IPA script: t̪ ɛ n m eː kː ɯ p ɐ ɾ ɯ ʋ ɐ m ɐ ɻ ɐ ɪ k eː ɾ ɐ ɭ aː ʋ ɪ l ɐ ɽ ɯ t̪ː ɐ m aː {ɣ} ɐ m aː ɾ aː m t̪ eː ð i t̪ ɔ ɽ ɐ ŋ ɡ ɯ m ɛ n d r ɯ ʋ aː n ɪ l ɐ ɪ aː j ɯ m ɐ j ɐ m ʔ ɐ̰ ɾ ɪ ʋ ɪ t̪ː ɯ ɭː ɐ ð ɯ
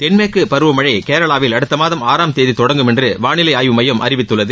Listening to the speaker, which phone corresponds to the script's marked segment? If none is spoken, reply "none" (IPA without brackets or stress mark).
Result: ð